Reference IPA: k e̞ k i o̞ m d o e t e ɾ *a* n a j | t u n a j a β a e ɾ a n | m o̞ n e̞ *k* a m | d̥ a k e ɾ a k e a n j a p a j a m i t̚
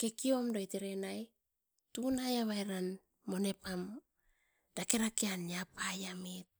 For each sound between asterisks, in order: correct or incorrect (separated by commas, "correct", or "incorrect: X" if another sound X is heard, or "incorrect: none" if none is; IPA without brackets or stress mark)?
incorrect: e, incorrect: p